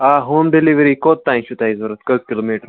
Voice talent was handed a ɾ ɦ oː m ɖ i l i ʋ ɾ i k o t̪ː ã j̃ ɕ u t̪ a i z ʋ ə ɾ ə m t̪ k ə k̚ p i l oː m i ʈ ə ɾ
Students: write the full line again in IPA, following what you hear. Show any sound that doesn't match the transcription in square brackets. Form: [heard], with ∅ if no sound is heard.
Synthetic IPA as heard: a [∅] ɦ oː m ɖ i l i ʋ ɾ i k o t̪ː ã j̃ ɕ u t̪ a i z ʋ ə ɾ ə [∅] t̪ k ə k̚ [k] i l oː m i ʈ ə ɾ